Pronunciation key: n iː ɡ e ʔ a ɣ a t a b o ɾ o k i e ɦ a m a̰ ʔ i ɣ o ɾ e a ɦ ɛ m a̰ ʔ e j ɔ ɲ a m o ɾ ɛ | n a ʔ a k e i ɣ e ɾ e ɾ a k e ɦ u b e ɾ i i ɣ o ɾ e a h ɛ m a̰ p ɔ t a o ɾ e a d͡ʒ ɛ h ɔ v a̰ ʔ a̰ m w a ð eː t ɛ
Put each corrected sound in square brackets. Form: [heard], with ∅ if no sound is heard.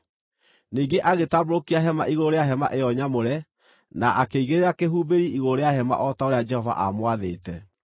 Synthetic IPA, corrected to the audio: n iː ɡ e ʔ a ɣ [e] t a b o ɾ o k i [a] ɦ [ɛ] m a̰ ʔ i ɣ o ɾ e a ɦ ɛ m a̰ ʔ e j ɔ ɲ a m o ɾ ɛ | n a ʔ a k e i ɣ e ɾ e ɾ a k e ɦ u b e ɾ i i ɣ o ɾ e a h ɛ m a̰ [ʔ] ɔ t a o ɾ e a d͡ʒ ɛ h ɔ v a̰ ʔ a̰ m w a ð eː t ɛ